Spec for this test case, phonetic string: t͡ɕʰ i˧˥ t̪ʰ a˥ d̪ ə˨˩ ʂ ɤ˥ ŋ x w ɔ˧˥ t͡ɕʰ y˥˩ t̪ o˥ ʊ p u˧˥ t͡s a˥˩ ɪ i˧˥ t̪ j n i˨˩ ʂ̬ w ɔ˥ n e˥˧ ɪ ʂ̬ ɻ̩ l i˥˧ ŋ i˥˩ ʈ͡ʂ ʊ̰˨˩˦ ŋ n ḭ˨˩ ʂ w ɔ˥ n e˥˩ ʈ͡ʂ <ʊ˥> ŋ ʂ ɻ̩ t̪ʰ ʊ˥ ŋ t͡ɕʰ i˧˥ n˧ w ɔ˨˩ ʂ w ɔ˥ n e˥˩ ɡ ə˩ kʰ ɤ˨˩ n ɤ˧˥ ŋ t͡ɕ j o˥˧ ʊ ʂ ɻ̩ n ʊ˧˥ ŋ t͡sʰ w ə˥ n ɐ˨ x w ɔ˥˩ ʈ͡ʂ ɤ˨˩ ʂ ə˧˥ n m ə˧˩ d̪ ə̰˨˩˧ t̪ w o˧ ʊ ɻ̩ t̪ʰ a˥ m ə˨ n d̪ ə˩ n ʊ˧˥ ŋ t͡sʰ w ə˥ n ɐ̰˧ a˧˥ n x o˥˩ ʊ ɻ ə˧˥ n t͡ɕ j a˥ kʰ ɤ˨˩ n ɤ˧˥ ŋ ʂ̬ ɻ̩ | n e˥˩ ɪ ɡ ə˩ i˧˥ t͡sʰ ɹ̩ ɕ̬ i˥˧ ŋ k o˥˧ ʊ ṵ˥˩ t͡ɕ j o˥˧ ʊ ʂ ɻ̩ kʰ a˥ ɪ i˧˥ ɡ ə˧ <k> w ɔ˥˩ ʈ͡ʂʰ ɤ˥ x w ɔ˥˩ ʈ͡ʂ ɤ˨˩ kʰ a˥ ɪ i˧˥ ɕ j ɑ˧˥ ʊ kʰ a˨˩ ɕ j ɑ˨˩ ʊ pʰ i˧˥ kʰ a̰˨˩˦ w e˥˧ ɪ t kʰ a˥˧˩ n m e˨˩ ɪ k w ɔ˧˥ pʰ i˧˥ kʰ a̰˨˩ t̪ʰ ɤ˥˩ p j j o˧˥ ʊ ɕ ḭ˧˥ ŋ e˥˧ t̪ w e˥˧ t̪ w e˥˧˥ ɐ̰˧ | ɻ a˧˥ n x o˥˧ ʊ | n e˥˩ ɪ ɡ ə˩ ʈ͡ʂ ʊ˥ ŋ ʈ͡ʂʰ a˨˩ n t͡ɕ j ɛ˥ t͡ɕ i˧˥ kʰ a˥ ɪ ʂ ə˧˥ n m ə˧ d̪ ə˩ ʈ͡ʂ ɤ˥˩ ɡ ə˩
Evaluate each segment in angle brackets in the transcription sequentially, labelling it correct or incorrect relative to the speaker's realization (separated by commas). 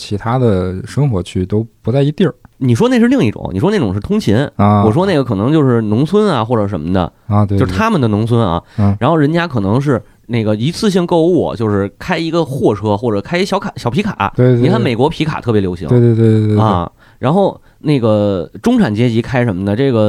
incorrect, incorrect